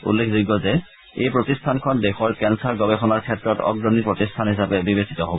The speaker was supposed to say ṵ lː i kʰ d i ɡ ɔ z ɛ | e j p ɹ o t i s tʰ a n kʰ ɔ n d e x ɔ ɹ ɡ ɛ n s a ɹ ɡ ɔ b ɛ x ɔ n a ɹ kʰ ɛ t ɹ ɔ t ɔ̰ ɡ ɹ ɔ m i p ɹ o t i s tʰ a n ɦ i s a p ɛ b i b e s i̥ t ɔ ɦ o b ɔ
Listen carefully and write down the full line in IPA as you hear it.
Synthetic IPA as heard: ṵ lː e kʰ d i ɡ ɔ z ɛ | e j p ɹ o t i s tʰ a n kʰ ɔ n d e x ɔ ɹ k ɛ n s a ɹ ɡ ɔ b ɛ x ɔ n a ɹ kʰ ɛ t ɹ ɔ t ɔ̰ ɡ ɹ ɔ n i p ɹ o t i s tʰ a n ɦ i s a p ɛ b i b e s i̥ t ɔ ɦ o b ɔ